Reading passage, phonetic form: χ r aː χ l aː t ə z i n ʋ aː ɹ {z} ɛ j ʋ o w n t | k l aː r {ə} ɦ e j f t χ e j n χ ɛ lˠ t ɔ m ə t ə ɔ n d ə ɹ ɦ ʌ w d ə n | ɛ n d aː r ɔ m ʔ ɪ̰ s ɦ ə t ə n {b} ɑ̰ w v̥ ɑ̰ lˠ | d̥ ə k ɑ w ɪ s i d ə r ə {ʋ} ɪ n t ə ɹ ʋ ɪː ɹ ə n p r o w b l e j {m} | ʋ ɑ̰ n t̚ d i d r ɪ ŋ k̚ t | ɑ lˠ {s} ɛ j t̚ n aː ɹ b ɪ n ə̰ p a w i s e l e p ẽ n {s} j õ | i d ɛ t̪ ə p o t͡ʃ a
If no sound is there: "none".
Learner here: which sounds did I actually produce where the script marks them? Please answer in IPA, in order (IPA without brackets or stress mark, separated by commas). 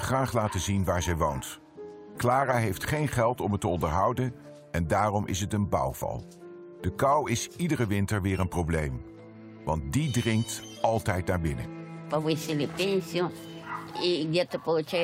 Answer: z, a, b, ʋ, m, t, s